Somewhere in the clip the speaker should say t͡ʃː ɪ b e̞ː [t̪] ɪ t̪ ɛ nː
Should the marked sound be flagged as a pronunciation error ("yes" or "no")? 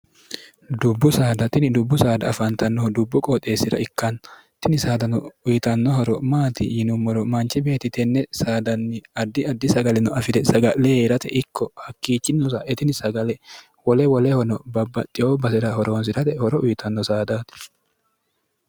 no